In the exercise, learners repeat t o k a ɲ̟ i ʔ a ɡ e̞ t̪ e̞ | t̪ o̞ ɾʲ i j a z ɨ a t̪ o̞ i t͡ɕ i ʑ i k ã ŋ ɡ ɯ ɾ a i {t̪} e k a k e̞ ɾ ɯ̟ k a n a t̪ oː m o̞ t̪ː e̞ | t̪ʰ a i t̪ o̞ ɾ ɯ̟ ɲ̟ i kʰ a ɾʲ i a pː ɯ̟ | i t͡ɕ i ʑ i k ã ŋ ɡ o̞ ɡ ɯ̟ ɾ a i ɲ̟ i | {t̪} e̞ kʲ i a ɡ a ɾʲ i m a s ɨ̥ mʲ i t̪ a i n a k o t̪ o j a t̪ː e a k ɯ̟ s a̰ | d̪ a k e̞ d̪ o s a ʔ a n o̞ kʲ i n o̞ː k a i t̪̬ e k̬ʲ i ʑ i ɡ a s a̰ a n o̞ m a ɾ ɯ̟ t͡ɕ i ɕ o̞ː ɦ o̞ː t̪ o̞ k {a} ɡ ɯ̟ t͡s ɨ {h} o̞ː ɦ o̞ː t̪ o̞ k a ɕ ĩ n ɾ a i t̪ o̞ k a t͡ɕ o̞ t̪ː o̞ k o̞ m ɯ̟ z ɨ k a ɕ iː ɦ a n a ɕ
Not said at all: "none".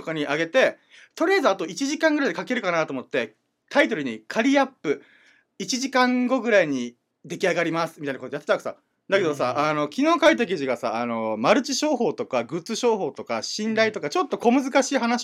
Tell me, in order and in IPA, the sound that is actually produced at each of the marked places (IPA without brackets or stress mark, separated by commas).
d̪, d̪, a, ɕ